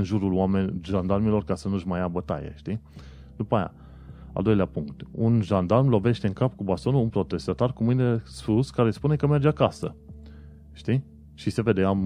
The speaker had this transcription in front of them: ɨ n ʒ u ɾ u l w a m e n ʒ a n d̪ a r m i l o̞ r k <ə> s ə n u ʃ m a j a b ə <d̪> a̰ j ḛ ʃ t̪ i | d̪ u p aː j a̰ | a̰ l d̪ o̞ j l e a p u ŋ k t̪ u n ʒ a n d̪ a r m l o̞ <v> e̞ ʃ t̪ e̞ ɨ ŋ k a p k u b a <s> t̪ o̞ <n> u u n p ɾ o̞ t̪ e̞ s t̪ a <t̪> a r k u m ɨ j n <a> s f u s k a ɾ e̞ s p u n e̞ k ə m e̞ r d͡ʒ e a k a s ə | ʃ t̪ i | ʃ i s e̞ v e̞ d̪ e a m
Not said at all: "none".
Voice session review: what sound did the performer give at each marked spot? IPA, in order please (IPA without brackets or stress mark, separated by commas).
a, t̪, v, s, n, t̪, e